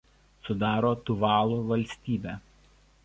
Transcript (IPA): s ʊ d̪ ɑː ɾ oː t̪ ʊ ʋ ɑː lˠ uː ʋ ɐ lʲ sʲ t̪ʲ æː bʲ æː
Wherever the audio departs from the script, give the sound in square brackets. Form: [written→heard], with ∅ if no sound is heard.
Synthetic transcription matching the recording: s ʊ d̪ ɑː ɾ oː t̪ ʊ ʋ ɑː lˠ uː ʋ ɐ lʲ sʲ t̪ʲ [æː→iː] bʲ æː

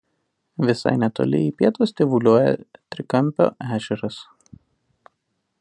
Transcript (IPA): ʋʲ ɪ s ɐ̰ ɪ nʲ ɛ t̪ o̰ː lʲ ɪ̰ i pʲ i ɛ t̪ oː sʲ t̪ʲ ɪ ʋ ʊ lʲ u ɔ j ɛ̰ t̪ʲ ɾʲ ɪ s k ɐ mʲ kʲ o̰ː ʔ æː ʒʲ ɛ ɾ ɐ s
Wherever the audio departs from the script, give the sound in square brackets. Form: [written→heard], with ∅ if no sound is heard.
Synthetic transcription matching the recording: ʋʲ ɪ s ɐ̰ ɪ nʲ ɛ t̪ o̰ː lʲ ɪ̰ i pʲ i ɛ t̪ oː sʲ t̪ʲ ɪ ʋ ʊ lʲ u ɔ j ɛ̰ t̪ʲ ɾʲ ɪ [s→∅] k ɐ mʲ [kʲ→pʲ] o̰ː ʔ æː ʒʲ ɛ ɾ ɐ s

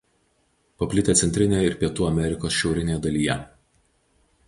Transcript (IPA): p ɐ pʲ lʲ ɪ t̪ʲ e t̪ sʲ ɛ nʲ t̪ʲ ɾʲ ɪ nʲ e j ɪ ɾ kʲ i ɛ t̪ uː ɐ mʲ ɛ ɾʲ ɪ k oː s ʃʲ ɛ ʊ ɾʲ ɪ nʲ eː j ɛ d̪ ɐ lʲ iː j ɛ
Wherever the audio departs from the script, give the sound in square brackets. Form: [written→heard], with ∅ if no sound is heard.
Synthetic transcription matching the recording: p ɐ pʲ lʲ ɪ t̪ʲ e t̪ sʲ ɛ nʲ t̪ʲ ɾʲ ɪ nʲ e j ɪ ɾ [kʲ→pʲ] i ɛ t̪ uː ɐ mʲ ɛ ɾʲ ɪ k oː s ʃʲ ɛ ʊ ɾʲ ɪ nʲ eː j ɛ d̪ ɐ lʲ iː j ɛ

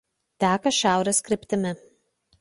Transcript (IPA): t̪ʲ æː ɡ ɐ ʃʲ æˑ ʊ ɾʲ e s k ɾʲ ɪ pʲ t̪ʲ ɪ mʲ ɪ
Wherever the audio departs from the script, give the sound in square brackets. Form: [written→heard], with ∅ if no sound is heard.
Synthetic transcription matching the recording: t̪ʲ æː [ɡ→k] ɐ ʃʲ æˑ ʊ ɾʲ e s k ɾʲ ɪ pʲ t̪ʲ ɪ mʲ ɪ

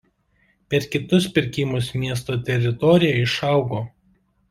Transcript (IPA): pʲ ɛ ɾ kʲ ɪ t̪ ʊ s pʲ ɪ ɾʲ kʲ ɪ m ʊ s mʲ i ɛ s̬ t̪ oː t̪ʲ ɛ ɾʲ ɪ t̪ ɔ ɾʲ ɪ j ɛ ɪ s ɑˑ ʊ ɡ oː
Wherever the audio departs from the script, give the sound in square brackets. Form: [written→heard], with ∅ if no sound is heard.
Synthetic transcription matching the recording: pʲ ɛ ɾ kʲ ɪ t̪ ʊ s pʲ ɪ ɾʲ kʲ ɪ m ʊ s mʲ i ɛ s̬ t̪ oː t̪ʲ ɛ ɾʲ ɪ t̪ ɔ ɾʲ ɪ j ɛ ɪ [s→ʃ] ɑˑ ʊ ɡ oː

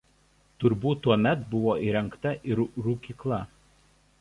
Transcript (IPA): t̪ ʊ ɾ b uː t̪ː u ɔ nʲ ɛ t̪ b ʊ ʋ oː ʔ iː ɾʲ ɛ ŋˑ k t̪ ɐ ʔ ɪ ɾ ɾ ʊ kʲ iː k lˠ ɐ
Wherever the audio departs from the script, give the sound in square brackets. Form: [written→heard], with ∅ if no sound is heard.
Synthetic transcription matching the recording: t̪ ʊ ɾ b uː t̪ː u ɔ [nʲ→mʲ] ɛ t̪ b ʊ ʋ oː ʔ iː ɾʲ ɛ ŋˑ k t̪ ɐ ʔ ɪ ɾ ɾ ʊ kʲ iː k lˠ ɐ

